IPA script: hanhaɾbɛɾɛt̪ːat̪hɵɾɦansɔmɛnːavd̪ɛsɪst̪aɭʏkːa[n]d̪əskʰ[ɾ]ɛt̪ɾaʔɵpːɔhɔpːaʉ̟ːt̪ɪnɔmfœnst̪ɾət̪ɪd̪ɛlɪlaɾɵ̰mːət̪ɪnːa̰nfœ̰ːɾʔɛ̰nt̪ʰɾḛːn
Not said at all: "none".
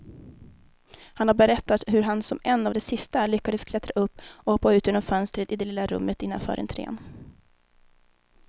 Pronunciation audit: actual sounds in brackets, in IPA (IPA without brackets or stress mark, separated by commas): none, l